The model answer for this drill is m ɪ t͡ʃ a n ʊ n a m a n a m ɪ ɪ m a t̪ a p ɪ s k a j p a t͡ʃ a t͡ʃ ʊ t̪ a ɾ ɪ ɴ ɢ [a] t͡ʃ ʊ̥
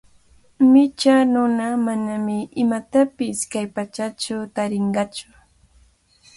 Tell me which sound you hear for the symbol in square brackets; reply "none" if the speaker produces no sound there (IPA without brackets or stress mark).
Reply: ɑ